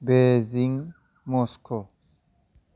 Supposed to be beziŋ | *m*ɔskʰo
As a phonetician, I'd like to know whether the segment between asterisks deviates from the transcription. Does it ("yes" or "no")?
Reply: no